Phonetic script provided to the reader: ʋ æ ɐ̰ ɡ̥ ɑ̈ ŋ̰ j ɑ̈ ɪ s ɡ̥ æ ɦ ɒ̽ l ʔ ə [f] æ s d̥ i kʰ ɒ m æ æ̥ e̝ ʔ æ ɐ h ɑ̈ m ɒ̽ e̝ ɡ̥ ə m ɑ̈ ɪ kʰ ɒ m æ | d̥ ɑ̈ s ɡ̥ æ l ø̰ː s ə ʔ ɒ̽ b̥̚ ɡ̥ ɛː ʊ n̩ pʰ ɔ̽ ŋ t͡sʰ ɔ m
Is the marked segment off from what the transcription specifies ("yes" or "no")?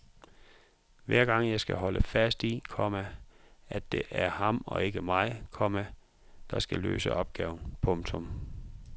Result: no